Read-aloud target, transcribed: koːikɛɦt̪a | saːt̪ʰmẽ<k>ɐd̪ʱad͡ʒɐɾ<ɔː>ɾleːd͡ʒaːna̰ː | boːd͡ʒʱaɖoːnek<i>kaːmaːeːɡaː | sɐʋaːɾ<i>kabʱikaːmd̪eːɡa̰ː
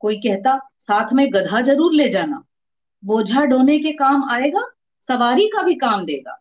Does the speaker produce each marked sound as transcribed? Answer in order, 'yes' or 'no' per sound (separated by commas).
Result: no, no, no, yes